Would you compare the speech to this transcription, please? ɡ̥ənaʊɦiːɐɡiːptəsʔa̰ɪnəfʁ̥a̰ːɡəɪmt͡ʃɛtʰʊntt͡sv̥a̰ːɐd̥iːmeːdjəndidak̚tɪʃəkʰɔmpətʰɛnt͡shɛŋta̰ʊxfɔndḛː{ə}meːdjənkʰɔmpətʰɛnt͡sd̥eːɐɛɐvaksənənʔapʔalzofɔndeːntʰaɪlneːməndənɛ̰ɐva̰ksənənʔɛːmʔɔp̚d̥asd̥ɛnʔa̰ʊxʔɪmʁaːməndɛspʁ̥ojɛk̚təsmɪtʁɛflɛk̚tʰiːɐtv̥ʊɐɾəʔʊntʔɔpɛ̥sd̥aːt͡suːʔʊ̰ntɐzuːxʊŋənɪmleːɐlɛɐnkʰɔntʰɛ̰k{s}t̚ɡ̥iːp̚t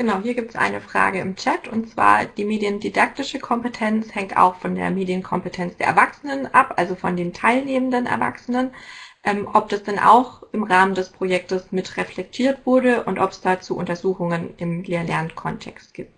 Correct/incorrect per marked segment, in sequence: incorrect: ɐ, correct

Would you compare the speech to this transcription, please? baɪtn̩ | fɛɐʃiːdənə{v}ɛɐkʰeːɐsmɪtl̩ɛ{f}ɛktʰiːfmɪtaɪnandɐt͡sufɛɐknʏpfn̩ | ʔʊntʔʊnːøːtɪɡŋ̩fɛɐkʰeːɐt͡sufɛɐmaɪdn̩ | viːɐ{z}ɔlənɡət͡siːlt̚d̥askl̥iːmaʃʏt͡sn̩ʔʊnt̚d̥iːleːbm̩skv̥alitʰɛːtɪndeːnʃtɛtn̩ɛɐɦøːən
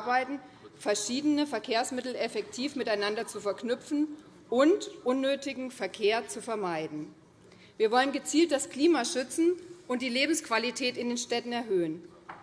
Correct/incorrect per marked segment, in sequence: incorrect: f, correct, incorrect: v

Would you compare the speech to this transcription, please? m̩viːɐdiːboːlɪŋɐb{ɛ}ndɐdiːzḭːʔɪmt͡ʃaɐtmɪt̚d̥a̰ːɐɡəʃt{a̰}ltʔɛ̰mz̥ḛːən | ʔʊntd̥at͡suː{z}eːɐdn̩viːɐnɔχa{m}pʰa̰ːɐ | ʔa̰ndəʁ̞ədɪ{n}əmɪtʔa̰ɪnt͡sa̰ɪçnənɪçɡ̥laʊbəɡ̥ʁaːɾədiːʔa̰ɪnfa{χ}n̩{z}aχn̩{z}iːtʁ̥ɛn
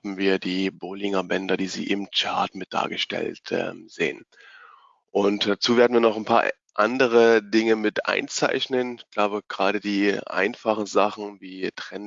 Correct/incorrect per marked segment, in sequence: correct, incorrect: ɛ̰, incorrect: v, incorrect: n, incorrect: ŋ, correct, correct, incorrect: v

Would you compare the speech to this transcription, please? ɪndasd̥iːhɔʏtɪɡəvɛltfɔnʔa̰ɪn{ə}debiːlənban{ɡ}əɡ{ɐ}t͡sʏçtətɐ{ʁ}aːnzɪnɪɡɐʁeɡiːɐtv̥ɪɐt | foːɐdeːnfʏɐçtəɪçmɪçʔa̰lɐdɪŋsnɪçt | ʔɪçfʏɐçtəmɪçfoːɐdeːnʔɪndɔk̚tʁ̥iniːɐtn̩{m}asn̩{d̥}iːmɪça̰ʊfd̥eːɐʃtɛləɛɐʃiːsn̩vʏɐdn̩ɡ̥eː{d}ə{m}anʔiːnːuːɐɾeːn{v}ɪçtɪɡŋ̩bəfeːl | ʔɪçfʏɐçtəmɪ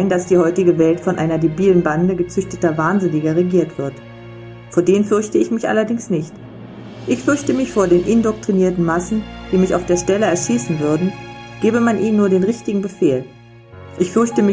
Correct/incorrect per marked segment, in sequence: incorrect: ɐ, incorrect: d, incorrect: ə, incorrect: v, correct, correct, incorrect: b, correct, incorrect: ʁ

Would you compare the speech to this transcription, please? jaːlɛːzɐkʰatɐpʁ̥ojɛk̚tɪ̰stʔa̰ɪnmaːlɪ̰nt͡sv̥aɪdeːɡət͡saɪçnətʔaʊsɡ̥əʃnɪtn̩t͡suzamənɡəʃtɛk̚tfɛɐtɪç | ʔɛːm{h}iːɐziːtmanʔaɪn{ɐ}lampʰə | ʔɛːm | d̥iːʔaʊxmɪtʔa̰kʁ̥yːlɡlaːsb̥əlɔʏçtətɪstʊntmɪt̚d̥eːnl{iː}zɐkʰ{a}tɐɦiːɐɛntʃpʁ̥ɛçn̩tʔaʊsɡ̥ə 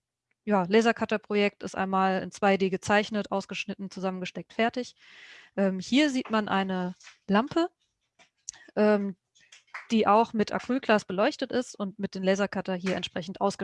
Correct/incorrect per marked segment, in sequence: correct, incorrect: ə, incorrect: ɛː, correct

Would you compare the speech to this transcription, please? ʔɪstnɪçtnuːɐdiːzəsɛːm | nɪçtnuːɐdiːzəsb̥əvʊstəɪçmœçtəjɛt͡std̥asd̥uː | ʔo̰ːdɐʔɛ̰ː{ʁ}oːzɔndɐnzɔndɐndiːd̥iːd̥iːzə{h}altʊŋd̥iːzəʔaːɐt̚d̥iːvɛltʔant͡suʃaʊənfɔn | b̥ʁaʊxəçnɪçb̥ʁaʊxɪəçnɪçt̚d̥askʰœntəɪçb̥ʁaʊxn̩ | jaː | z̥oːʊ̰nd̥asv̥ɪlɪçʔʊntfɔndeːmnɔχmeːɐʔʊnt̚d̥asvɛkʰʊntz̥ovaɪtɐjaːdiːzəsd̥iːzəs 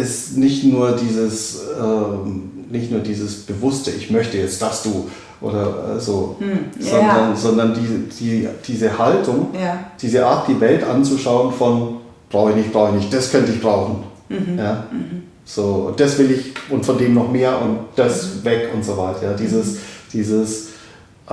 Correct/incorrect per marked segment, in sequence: incorrect: z, correct

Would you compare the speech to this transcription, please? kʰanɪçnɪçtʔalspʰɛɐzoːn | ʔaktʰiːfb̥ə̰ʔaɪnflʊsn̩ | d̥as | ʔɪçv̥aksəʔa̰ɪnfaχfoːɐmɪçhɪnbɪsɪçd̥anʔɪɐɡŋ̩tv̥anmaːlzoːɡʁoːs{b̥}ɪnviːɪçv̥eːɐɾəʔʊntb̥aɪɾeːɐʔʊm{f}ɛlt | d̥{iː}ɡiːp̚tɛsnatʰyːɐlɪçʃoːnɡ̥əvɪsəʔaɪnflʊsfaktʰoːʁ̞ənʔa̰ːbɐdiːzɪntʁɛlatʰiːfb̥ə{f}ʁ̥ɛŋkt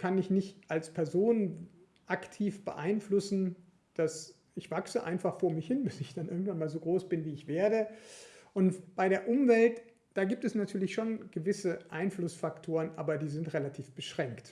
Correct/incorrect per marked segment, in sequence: correct, incorrect: v, incorrect: aː, incorrect: ʃ

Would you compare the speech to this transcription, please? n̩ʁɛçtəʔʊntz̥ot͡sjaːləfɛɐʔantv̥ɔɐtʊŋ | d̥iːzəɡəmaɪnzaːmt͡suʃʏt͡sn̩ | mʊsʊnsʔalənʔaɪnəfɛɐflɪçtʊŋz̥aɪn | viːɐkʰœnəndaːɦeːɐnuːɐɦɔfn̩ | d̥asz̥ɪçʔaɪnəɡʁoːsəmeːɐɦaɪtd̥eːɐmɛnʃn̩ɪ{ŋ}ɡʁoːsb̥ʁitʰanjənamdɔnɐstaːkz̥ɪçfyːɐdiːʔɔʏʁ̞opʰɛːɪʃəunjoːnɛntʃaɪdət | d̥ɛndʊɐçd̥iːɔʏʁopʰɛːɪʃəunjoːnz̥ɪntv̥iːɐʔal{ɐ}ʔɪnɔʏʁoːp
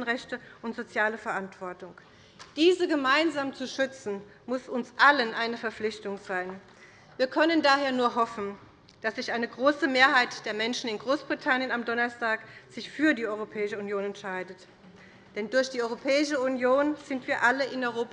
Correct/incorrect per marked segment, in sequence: incorrect: n, incorrect: ə

